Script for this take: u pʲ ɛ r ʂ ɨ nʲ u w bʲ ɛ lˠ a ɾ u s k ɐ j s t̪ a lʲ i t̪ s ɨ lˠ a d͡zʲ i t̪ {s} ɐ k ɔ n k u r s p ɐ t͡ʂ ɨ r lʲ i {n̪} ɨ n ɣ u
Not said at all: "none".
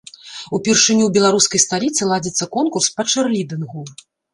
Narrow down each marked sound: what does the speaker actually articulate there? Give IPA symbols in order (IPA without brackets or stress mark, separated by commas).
sː, d̪